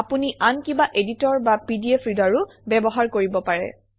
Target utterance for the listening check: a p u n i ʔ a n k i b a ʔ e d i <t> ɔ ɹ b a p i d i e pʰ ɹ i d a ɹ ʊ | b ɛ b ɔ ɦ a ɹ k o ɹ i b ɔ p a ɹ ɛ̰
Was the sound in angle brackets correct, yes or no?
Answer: yes